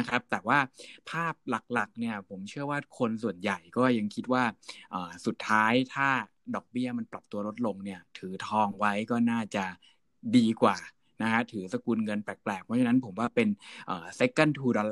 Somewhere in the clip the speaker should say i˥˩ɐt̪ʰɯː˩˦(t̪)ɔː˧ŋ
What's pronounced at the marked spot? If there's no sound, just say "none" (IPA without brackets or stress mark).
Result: t̪ʰ